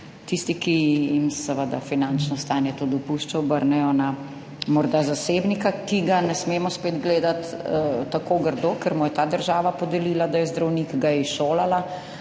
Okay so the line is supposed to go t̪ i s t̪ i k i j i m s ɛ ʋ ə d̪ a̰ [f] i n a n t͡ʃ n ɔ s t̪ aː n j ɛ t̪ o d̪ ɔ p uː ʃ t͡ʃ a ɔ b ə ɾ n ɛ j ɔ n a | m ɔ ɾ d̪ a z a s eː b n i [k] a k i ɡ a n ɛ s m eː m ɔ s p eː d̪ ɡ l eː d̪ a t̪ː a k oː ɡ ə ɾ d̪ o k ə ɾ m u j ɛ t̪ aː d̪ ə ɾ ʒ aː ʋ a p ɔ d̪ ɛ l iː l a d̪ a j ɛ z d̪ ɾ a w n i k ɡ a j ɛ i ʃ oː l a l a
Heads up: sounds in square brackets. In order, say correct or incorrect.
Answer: correct, correct

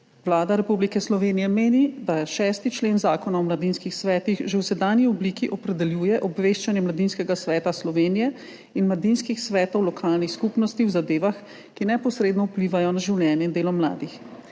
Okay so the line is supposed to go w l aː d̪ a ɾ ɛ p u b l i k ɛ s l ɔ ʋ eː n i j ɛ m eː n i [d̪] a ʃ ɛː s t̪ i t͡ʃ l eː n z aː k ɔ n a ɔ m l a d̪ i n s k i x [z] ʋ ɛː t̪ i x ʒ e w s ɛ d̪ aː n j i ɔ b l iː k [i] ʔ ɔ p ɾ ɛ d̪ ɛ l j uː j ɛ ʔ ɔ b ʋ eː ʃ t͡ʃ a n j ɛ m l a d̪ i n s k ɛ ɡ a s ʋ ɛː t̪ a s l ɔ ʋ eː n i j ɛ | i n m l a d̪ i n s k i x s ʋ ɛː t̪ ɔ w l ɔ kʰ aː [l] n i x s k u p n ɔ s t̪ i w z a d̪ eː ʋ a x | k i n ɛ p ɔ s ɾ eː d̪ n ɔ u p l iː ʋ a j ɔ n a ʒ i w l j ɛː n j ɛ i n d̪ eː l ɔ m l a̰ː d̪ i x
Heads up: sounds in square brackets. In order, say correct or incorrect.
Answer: correct, incorrect: s, correct, correct

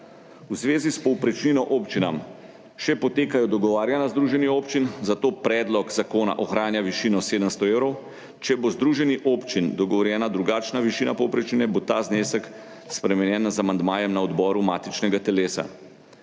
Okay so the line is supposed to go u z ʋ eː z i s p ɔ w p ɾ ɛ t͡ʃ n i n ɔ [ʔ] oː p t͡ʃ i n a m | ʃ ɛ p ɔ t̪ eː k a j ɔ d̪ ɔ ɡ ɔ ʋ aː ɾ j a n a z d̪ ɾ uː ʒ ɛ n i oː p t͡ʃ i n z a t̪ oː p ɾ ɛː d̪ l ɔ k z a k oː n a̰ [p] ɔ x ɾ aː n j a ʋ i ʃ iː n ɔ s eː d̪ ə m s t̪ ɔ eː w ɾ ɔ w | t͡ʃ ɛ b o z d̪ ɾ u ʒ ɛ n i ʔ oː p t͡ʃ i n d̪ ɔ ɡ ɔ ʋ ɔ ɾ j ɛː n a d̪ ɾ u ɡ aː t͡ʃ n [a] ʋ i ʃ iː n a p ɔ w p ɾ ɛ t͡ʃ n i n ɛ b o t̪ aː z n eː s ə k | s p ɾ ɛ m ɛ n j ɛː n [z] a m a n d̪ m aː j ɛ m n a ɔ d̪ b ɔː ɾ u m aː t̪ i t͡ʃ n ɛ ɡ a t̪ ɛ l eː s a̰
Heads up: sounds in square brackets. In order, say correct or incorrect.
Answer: correct, incorrect: ʔ, correct, correct

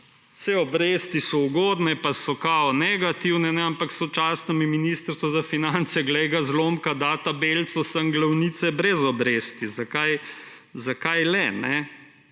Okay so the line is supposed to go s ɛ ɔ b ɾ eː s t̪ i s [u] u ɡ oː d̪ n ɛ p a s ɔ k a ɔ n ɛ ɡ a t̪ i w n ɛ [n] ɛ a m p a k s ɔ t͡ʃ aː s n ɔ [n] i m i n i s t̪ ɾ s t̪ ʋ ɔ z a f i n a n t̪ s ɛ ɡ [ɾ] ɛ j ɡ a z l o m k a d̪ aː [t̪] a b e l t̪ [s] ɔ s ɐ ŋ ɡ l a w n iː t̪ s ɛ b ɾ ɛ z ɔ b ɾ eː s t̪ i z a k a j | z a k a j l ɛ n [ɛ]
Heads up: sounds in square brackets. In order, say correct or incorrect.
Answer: incorrect: ɔ, correct, incorrect: m, incorrect: l, correct, correct, correct

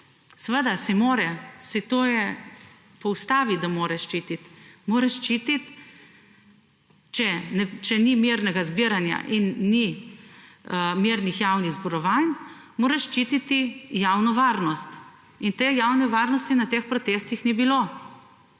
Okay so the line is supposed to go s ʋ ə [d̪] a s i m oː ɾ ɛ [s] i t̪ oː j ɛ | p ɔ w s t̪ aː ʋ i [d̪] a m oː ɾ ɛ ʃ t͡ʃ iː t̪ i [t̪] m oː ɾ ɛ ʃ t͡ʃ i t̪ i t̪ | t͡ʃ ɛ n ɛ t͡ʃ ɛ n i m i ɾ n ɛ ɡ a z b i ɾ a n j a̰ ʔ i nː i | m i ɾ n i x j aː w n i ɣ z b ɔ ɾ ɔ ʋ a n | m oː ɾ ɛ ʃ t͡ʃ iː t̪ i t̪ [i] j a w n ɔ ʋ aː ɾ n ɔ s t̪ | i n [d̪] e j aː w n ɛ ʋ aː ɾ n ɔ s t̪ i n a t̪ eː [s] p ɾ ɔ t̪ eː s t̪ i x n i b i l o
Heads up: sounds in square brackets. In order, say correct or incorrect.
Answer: correct, correct, correct, correct, correct, incorrect: t̪, incorrect: x

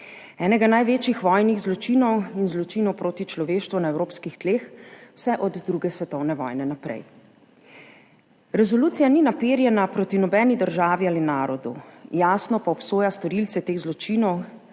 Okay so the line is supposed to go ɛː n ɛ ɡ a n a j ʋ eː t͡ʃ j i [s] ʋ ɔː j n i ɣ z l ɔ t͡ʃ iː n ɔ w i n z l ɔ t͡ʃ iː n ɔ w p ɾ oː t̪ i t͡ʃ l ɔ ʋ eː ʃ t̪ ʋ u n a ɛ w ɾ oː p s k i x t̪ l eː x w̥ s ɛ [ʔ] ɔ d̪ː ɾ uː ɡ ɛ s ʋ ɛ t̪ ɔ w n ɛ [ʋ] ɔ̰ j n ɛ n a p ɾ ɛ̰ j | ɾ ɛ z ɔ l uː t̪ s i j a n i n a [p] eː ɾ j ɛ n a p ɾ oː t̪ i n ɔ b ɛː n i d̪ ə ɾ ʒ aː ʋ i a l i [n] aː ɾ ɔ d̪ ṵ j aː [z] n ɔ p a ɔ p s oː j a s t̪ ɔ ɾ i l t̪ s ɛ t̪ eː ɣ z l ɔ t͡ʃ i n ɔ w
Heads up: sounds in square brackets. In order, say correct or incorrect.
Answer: incorrect: x, correct, correct, correct, correct, incorrect: s

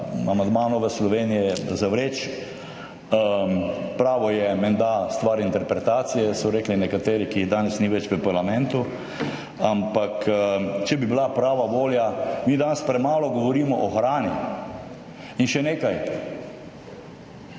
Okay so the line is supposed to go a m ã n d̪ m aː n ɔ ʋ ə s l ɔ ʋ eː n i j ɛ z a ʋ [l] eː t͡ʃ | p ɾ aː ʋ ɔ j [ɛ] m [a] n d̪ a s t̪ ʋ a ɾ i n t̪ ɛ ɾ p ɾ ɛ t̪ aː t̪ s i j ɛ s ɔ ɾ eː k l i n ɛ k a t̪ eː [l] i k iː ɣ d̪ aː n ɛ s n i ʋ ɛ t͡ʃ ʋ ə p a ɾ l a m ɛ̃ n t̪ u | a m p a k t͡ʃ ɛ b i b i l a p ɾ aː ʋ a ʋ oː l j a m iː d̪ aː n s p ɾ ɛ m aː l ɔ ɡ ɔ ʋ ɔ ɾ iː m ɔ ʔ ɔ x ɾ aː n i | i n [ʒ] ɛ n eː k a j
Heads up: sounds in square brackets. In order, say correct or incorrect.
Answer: incorrect: ɾ, correct, incorrect: ɛ, incorrect: ɾ, incorrect: ʃ

